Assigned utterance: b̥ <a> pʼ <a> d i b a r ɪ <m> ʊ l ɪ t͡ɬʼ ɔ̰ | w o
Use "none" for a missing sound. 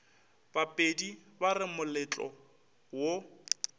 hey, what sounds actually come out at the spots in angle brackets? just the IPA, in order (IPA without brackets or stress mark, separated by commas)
a, e, m